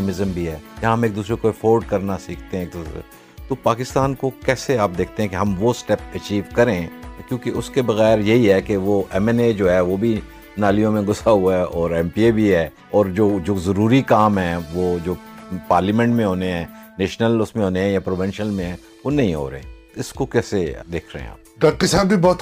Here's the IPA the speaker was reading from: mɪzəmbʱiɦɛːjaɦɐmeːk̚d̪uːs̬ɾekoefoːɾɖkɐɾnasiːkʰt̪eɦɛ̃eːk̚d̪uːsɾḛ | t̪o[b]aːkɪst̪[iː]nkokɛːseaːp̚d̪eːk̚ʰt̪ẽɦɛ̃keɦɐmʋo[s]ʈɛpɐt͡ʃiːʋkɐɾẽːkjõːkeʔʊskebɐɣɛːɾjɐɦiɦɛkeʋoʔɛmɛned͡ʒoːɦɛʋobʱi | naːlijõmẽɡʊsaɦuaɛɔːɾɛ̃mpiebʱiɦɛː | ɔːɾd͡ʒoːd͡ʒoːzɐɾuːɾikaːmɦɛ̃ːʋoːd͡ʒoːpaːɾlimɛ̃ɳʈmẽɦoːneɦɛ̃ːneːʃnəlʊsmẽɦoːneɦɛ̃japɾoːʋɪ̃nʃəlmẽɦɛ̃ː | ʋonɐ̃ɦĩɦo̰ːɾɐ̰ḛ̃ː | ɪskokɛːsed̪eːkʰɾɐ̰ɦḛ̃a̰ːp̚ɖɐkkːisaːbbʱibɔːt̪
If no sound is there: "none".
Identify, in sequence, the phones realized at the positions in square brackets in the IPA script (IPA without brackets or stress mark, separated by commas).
p, aː, s